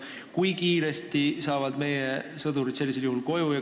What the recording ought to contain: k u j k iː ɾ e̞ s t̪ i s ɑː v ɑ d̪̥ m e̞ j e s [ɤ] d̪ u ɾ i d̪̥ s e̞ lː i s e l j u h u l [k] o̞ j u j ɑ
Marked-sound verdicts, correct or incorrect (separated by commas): correct, correct